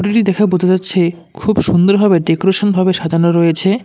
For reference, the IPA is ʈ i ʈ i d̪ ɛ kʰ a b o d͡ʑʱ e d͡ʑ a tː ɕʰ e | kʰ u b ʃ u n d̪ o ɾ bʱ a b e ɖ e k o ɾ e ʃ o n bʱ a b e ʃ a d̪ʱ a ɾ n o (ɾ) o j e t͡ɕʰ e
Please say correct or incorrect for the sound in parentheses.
correct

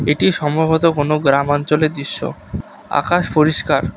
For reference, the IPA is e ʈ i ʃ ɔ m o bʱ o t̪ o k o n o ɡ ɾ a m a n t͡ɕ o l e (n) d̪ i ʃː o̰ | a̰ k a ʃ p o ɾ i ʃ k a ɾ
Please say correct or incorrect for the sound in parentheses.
incorrect: none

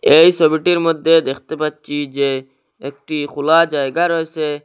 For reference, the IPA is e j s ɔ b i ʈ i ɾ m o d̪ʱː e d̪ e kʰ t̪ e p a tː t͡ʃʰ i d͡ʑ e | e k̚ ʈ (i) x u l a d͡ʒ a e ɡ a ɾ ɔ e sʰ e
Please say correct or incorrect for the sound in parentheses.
correct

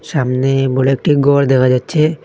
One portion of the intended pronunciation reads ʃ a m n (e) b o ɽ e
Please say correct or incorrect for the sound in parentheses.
correct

